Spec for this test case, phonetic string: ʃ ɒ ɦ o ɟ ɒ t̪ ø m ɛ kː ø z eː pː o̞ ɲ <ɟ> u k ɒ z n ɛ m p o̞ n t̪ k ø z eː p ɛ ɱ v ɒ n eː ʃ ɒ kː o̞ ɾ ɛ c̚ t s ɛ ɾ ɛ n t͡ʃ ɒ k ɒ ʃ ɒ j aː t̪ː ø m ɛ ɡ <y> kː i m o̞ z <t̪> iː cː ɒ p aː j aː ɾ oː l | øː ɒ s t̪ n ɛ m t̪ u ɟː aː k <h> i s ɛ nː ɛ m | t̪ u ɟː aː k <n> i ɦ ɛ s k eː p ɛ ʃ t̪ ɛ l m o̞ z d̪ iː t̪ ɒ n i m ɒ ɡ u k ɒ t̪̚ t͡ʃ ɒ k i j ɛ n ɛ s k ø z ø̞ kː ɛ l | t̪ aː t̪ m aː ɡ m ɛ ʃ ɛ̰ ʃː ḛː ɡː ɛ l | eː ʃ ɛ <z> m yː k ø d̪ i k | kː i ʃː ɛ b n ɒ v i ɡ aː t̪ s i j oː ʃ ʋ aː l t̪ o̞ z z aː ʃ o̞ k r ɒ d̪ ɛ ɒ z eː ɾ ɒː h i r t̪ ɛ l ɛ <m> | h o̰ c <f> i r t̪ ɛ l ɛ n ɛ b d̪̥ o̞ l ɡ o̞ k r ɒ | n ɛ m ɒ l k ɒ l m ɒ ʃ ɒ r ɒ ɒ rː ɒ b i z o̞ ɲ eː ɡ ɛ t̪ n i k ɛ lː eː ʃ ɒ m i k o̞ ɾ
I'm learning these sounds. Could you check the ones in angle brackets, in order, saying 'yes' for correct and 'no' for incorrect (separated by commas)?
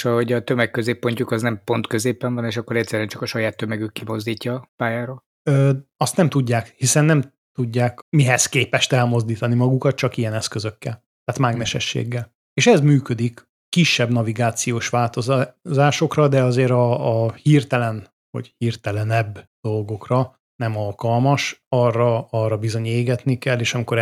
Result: no, yes, no, yes, no, yes, no, no